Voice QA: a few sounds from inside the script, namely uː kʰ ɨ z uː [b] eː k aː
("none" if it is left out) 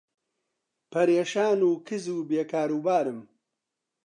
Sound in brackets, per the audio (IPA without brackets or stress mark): b